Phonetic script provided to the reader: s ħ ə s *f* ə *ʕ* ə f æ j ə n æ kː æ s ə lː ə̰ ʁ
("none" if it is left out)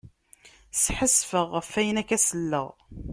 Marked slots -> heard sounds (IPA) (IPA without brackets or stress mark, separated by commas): f, ʁ